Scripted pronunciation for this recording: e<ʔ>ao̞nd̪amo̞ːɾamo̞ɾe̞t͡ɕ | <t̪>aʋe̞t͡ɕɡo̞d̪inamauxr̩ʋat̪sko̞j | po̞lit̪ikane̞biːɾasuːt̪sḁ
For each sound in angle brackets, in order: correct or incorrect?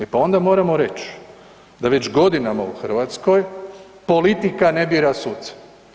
incorrect: p, incorrect: d̪

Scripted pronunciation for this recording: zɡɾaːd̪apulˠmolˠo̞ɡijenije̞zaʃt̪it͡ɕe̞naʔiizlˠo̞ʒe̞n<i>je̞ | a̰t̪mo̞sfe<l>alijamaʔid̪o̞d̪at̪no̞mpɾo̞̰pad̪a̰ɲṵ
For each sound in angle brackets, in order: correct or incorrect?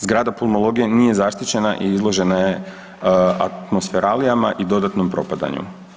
incorrect: a, incorrect: ɾ

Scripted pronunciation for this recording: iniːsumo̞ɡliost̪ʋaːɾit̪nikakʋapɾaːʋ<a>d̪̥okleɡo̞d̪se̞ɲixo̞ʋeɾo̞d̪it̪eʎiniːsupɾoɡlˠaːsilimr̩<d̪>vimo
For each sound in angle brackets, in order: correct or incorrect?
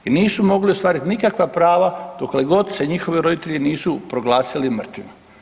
correct, incorrect: t̪

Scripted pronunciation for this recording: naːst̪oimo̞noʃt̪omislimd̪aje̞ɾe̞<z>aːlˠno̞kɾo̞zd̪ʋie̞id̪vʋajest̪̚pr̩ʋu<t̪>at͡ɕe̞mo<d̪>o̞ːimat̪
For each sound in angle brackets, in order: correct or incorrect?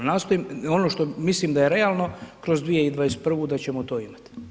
incorrect: none, incorrect: d̪, incorrect: t̪

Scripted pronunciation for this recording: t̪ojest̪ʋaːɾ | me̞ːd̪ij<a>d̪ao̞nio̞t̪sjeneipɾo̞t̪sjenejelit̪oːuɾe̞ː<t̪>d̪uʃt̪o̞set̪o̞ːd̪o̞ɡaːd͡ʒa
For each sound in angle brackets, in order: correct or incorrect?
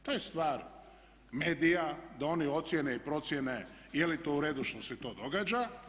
correct, incorrect: none

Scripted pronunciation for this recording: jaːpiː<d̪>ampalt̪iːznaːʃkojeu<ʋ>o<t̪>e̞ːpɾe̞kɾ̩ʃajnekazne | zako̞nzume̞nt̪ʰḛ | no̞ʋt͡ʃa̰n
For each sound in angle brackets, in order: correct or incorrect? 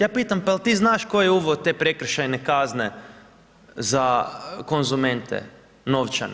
incorrect: t̪, correct, correct

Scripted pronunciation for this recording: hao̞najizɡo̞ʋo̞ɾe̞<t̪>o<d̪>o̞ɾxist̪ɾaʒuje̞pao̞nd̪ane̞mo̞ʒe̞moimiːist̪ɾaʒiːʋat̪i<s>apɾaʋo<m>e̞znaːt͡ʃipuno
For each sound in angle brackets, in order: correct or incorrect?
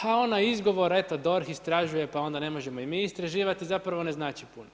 correct, correct, incorrect: z, incorrect: n

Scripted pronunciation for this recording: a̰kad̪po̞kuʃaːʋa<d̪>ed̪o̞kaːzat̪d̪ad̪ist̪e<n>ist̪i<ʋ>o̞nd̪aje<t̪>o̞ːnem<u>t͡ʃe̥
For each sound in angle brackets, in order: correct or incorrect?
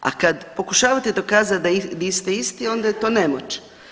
incorrect: t̪, incorrect: none, incorrect: none, correct, incorrect: o

